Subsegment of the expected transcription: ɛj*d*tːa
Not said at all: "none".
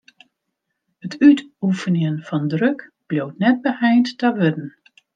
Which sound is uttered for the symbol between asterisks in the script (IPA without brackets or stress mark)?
n